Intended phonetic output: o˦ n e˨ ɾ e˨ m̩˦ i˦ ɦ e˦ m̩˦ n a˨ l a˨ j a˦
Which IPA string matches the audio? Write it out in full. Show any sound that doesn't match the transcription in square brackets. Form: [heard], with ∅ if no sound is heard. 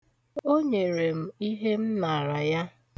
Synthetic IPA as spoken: o˦ [ɲ] e˨ ɾ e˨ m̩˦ i˦ ɦ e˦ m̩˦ n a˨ [ɾ] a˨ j a˦

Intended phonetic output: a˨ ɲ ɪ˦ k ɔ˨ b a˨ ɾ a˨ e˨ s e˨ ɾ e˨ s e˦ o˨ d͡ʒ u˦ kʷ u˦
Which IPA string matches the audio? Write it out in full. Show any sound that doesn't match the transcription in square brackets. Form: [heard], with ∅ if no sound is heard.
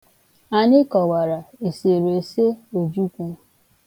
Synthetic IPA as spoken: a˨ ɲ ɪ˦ k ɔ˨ [w] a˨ ɾ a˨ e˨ s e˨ ɾ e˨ s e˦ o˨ d͡ʒ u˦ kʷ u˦

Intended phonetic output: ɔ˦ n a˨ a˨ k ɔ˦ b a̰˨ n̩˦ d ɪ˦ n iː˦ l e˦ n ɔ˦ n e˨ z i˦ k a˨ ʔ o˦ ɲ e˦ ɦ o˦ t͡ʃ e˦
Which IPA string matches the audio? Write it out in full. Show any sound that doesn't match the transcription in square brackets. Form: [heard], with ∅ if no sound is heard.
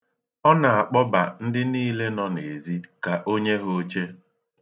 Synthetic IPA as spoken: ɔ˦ n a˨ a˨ [k͡p] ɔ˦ b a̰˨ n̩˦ d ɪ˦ n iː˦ l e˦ n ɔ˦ n e˨ z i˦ k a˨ ʔ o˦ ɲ e˦ ɦ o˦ t͡ʃ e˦

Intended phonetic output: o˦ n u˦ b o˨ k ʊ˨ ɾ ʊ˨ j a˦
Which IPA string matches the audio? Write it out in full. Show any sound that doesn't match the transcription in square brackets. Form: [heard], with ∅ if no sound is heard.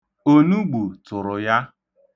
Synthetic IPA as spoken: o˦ n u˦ [ɡ͡b] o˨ [t] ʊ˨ ɾ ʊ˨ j a˦

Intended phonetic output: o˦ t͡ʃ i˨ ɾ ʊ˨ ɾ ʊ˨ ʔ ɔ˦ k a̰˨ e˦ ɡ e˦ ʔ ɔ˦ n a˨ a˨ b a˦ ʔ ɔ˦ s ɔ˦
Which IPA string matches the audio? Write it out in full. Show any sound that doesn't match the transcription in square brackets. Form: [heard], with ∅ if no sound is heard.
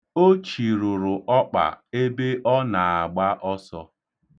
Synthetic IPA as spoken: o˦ t͡ʃ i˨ ɾ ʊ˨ ɾ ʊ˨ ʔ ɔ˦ [k͡p] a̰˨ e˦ [b] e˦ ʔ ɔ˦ n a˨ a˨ [ɡ͡b] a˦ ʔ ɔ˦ s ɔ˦

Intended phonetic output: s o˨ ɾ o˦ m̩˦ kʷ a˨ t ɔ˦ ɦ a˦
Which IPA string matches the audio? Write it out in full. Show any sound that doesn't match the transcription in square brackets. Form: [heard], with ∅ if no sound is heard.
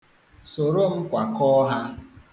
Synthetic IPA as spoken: s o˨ ɾ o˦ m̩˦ kʷ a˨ [k] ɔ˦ ɦ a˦

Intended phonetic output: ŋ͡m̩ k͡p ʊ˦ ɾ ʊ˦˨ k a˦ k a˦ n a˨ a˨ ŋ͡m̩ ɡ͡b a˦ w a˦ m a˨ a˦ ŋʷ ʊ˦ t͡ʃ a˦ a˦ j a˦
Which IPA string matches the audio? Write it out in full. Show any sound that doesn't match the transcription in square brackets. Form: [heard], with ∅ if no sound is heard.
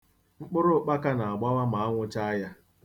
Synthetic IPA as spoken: ŋ͡m̩ k͡p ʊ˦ ɾ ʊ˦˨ [k͡p] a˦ k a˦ n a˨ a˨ [∅] ɡ͡b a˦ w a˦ m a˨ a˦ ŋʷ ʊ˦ t͡ʃ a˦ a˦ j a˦

